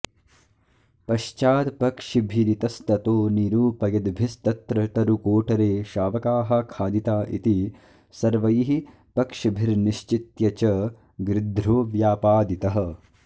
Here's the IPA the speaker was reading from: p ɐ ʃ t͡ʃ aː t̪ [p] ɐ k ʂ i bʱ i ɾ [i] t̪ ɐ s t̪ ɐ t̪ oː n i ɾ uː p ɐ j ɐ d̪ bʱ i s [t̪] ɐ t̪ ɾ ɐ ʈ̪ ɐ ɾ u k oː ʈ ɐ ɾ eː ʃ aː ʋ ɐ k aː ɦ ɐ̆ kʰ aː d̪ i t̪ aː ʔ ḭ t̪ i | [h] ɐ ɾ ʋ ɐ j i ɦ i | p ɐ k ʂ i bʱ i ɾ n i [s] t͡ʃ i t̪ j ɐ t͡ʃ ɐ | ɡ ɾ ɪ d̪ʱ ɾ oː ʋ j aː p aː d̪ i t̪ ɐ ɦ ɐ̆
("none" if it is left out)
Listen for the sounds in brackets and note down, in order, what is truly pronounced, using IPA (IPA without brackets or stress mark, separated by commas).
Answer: p, i, t̪, s, ʃ